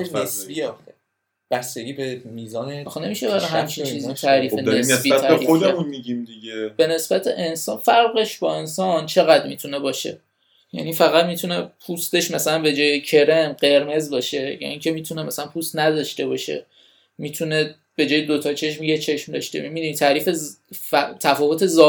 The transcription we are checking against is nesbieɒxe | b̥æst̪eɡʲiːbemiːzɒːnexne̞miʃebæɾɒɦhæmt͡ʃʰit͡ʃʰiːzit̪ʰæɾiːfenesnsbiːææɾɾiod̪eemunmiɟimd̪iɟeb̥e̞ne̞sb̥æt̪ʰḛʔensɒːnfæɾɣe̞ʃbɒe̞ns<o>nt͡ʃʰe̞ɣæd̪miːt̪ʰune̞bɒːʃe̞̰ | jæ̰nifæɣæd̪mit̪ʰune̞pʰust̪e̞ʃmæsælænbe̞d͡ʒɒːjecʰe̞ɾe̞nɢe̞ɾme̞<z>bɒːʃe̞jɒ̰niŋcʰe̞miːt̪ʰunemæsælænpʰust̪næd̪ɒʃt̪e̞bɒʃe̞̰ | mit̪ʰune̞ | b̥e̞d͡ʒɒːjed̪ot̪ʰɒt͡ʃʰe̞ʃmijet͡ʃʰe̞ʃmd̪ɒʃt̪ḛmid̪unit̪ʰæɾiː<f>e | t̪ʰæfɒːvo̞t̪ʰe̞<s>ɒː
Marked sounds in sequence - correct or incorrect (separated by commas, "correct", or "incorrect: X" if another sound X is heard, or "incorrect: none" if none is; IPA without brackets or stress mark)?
incorrect: ɒ, correct, correct, incorrect: z